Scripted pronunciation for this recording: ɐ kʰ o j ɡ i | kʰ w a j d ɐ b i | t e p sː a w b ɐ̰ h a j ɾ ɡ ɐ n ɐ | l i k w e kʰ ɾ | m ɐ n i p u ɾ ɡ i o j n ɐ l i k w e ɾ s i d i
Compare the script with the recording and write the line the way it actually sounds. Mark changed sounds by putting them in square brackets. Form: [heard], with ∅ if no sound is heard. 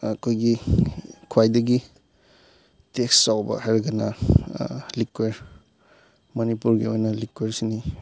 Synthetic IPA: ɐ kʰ o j ɡ i | kʰ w a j d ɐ [ɡ] i | t e [k] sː a w b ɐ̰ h a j ɾ ɡ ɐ n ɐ | l i k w e [∅] ɾ | m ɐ n i p u ɾ ɡ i o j n ɐ l i k w e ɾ s i [n] i

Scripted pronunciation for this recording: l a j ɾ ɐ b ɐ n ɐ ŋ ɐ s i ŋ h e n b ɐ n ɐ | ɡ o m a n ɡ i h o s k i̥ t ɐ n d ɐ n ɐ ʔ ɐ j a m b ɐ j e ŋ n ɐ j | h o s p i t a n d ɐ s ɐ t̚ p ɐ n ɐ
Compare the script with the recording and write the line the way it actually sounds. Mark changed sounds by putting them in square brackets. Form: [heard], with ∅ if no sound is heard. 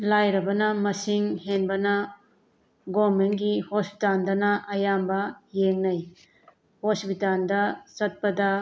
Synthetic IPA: l a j ɾ ɐ b ɐ n ɐ [m] ɐ s i ŋ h e n b ɐ n ɐ | ɡ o m [e] n ɡ i h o s [p] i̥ t [a] n d ɐ n ɐ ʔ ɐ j a m b ɐ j e ŋ n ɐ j | h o s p i t a n d ɐ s ɐ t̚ p ɐ [d] ɐ

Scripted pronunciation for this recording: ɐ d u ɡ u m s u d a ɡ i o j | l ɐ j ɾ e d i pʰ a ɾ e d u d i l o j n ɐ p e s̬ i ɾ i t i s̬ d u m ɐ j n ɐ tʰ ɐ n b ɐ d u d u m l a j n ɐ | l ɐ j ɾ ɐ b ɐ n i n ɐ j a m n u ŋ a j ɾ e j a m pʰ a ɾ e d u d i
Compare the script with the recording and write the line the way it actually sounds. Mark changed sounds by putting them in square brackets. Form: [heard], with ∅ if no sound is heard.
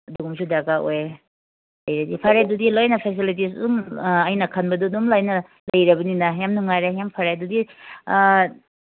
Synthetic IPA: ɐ d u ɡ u m s u d a ɡ [a] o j | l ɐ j ɾ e d i pʰ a ɾ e d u d i l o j n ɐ [pʰ] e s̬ i [l] i t i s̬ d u m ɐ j n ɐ [kʰ] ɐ n b ɐ d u d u m l a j n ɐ | l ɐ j ɾ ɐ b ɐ n i n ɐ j a m n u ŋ a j ɾ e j a m pʰ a ɾ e d u d i

